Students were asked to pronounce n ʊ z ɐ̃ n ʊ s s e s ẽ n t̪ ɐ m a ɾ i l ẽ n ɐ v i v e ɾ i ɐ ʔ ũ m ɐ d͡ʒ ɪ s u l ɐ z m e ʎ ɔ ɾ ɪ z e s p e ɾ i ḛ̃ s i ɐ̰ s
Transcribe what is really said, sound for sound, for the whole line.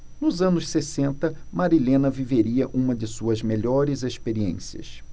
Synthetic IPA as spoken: n ʊ z ɐ̃ n ʊ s s e s ẽ n t̪ ɐ m a ɾ i l ẽ n ɐ v i v e ɾ i ɐ ʔ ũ m ɐ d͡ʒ ɪ s u ɐ z m e ʎ ɔ ɾ ɪ z e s p e ɾ i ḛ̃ s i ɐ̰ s